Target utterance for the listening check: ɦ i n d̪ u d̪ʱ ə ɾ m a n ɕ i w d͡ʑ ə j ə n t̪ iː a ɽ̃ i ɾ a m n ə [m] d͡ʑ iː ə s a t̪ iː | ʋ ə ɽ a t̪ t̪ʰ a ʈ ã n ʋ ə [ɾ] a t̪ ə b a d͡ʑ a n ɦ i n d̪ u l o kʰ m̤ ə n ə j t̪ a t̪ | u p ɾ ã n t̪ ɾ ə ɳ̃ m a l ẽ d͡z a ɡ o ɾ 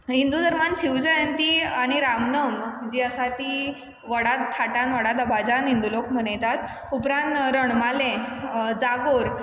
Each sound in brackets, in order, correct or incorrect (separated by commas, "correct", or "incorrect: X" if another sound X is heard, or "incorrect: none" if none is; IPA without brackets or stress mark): correct, incorrect: ɽ